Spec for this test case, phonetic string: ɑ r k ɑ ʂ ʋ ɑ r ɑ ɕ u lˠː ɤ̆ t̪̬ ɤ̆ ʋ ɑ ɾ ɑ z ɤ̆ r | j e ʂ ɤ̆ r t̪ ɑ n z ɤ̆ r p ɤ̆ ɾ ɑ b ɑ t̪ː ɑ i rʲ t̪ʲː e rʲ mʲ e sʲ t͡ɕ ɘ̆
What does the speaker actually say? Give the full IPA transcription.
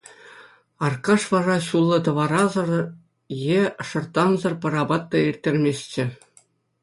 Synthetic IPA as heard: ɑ r k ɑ ʂ ʋ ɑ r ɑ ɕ u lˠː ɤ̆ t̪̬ ɤ̆ ʋ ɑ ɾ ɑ z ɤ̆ r | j e ʂ ɤ̆ r t̪ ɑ n z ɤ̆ r p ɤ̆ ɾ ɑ b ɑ t̪ː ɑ i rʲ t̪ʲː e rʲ mʲ e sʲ t͡ɕ ɘ̆